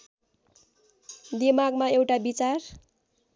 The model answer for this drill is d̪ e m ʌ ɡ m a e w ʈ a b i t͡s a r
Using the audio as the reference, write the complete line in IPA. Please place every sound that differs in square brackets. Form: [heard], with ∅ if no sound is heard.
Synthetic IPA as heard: d̪ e m [a] ɡ m a e w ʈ a b i t͡s a r